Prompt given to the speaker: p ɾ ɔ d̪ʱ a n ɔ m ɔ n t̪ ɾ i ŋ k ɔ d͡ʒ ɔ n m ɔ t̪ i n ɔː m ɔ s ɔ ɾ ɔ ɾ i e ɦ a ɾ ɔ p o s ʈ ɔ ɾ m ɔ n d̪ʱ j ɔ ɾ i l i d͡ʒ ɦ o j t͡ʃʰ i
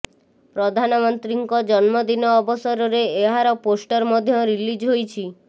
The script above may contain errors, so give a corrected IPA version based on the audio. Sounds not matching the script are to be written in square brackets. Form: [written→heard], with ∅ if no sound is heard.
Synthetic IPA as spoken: p ɾ ɔ d̪ʱ a n ɔ m ɔ n t̪ ɾ i ŋ k ɔ d͡ʒ ɔ n m ɔ [t̪→d̪] i n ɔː [m→b] ɔ s ɔ ɾ ɔ ɾ [i→e] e ɦ a ɾ ɔ p o s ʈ ɔ ɾ m ɔ [n→∅] d̪ʱ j ɔ ɾ i l i d͡ʒ ɦ o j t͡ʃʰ i